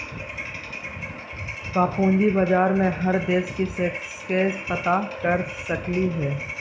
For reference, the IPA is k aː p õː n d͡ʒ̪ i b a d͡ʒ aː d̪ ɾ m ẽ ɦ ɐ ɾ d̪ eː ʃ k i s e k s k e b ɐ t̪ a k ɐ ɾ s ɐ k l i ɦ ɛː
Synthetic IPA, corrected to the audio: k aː p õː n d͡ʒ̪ i b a d͡ʒ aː ɾ m ẽ ɦ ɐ ɾ d̪ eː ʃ k i s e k s k e p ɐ t̪ a k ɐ ɾ s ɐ k l i ɦ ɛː